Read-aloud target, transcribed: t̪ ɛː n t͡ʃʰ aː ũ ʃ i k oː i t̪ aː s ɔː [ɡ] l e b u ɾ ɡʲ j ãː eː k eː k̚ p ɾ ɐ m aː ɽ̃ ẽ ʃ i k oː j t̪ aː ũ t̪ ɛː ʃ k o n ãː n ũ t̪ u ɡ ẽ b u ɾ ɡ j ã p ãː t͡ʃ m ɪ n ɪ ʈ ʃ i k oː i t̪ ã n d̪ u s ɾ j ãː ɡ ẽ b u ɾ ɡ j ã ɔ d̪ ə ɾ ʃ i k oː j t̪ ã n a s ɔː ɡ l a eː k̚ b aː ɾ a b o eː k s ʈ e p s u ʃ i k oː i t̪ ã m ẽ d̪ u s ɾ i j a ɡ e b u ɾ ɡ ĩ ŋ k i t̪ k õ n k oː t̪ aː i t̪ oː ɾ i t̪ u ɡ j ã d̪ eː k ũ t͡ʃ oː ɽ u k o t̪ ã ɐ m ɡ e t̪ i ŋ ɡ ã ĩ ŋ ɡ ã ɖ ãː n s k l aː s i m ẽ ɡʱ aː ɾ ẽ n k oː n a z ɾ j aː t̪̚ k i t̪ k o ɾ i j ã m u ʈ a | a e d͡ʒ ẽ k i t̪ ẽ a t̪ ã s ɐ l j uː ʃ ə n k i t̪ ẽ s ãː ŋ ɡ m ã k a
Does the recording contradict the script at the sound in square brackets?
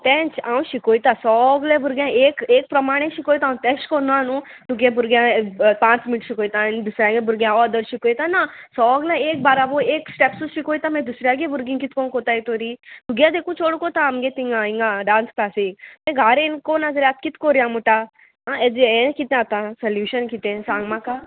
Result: no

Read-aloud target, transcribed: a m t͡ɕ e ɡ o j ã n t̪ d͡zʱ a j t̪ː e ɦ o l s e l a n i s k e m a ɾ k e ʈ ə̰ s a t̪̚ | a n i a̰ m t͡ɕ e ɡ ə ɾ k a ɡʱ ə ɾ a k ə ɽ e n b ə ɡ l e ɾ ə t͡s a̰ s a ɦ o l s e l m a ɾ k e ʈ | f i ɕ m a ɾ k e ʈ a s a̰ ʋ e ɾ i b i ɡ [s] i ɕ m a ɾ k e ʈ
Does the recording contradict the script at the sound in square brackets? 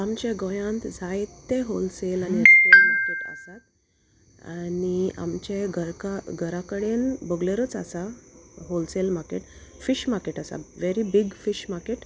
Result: yes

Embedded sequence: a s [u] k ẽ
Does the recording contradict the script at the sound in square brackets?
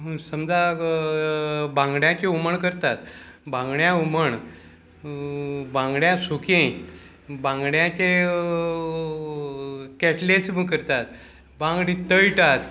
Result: no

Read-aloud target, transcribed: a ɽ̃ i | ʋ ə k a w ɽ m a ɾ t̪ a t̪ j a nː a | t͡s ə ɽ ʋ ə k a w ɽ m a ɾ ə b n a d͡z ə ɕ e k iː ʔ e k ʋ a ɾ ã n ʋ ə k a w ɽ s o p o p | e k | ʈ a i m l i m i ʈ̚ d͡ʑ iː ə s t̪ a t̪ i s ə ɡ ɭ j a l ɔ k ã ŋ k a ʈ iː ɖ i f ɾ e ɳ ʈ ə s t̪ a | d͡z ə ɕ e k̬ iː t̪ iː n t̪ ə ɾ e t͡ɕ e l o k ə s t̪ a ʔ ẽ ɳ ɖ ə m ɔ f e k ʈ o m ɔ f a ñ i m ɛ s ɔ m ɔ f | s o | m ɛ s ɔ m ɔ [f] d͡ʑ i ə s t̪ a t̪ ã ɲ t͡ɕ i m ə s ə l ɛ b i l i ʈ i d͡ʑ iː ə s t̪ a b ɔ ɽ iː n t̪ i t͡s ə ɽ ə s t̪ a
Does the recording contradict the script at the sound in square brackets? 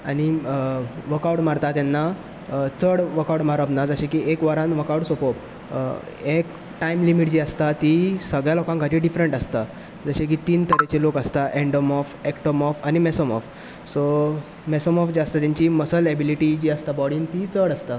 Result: no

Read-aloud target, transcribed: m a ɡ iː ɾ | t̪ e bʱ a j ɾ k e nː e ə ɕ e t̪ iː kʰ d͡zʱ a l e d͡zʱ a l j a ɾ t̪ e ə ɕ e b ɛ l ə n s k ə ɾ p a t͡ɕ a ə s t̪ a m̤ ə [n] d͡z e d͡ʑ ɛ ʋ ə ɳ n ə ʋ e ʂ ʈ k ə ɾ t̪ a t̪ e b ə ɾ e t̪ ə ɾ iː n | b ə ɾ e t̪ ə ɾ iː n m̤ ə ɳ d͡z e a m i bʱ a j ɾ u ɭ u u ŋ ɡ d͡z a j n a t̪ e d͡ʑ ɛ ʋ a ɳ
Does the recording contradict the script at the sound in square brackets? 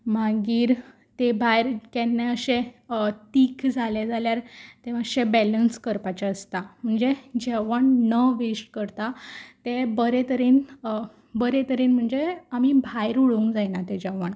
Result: yes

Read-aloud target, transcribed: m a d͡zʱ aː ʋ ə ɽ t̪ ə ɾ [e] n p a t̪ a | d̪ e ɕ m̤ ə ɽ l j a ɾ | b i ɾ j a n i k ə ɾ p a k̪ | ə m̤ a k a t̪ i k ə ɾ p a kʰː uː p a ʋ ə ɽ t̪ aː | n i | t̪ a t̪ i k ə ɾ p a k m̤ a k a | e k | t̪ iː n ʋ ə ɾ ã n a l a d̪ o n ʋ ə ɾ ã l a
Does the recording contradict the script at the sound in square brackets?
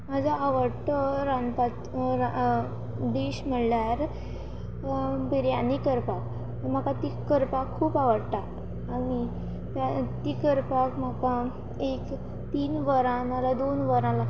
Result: yes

